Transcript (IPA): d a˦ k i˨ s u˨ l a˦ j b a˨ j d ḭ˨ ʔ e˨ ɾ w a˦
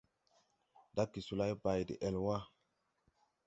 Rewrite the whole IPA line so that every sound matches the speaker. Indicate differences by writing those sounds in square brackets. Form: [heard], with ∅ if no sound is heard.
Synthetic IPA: d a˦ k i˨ s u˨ l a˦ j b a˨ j d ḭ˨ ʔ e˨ [l] w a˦